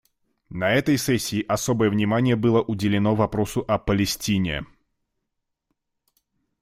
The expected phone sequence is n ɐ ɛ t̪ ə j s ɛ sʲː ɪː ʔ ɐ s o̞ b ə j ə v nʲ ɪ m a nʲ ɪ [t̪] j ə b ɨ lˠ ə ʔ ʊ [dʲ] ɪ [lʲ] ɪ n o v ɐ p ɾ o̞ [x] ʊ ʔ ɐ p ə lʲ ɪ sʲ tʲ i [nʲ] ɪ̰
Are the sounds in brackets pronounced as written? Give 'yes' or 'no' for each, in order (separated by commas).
no, yes, yes, no, yes